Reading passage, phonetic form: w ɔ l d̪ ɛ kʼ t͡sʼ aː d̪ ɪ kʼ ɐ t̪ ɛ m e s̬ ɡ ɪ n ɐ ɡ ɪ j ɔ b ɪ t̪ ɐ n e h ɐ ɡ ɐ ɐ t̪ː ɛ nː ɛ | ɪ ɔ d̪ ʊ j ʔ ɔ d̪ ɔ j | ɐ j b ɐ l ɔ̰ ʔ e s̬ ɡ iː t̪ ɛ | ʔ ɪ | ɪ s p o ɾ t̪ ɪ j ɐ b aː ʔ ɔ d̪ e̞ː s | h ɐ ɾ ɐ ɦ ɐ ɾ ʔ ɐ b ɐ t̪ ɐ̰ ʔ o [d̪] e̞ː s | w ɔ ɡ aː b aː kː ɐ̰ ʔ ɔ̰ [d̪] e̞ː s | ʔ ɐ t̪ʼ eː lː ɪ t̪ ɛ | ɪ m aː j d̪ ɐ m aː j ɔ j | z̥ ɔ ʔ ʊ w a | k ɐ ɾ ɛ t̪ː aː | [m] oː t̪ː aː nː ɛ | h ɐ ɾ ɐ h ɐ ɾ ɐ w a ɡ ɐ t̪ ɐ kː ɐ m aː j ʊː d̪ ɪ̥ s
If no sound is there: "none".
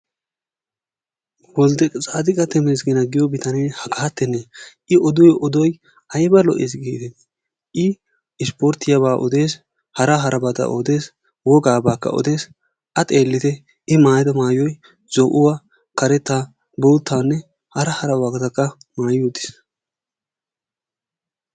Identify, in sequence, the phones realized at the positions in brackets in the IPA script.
d̪, d̪, b

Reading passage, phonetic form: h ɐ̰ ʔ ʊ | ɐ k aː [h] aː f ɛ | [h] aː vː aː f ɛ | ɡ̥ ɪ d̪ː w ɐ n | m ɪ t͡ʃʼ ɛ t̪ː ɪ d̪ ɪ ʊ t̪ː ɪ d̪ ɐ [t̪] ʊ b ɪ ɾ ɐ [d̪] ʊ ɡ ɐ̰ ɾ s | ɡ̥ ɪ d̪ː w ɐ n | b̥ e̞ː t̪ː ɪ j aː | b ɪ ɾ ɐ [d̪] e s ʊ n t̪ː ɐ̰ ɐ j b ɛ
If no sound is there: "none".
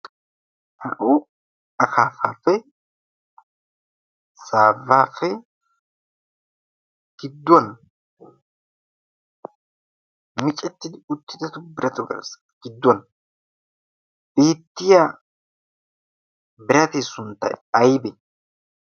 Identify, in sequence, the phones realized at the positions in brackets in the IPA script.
f, s, t̪, t̪, t̪

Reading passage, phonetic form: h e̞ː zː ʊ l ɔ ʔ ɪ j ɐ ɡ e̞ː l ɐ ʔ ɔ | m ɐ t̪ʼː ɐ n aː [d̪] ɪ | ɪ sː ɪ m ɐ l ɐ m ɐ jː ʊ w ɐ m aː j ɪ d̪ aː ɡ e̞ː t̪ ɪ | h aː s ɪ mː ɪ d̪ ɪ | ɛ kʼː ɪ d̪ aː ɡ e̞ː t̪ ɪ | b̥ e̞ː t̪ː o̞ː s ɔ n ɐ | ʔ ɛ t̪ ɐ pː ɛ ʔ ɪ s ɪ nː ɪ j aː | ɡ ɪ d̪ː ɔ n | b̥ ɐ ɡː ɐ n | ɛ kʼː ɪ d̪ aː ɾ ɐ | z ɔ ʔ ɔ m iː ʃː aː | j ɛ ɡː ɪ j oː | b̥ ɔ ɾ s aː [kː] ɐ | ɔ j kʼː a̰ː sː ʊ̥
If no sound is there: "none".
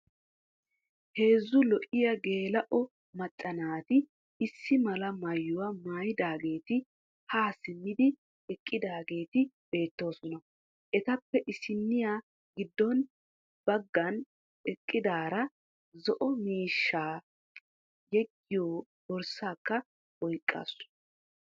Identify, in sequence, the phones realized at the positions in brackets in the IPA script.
t̪, kː

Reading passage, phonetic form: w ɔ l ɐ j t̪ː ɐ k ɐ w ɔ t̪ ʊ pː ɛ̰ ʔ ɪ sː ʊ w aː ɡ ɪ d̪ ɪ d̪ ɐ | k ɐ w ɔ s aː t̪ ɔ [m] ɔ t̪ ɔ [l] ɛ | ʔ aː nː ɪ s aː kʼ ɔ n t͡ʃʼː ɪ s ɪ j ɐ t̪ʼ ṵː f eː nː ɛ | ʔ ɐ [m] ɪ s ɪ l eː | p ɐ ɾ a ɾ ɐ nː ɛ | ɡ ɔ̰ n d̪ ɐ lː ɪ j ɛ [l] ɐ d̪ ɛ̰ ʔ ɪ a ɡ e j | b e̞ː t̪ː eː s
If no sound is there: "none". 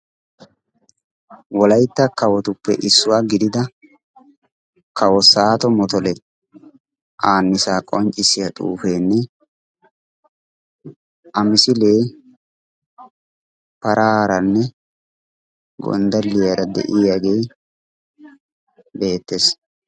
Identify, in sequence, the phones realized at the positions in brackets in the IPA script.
m, l, m, ɾ

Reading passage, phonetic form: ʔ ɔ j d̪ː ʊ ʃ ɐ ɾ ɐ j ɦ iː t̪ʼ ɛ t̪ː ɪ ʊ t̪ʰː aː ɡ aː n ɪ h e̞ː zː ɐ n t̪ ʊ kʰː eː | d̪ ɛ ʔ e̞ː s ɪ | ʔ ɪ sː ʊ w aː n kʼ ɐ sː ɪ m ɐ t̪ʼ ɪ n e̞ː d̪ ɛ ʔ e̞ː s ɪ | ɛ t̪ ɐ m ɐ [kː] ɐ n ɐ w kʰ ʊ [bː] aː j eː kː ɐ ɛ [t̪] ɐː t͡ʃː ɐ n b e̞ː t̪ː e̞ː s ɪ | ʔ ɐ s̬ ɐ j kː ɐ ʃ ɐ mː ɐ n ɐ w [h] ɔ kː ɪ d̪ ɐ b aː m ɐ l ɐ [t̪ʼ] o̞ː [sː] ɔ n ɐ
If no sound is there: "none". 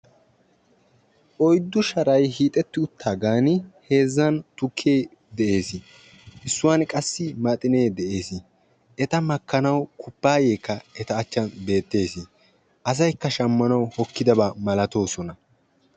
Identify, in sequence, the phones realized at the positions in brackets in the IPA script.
kː, pː, t̪, h, t̪, s

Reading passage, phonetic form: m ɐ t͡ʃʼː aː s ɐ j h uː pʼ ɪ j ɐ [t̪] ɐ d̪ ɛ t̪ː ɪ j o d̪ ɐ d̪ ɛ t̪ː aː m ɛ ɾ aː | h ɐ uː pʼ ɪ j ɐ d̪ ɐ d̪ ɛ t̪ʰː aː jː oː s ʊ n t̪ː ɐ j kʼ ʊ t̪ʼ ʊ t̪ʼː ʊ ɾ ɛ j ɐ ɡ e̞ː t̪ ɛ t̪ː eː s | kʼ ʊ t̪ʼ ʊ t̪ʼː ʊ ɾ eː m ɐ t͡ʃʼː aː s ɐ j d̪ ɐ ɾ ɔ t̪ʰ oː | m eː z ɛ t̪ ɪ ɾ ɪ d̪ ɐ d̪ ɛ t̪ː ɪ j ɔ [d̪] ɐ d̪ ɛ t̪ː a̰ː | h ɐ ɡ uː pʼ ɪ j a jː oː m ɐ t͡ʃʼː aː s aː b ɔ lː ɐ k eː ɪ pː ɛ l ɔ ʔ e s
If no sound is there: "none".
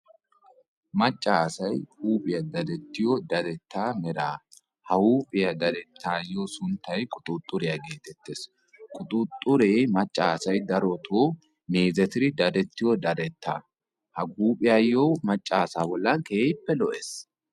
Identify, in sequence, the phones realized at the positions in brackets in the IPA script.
d̪, d̪

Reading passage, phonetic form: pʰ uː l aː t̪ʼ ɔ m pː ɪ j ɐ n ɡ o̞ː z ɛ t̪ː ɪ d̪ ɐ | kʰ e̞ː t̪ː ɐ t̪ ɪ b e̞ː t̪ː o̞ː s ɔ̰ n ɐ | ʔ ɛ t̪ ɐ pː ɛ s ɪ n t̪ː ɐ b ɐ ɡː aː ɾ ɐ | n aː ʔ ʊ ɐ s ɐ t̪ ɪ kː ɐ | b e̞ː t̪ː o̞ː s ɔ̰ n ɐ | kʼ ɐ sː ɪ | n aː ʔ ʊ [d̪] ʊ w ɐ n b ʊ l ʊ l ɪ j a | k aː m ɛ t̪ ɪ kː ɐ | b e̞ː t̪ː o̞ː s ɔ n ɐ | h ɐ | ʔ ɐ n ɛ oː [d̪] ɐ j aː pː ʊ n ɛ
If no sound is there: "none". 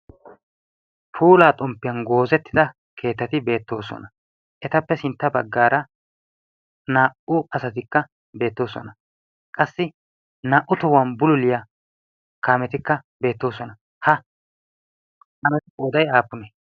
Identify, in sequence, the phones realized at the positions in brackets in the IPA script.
t̪, d̪

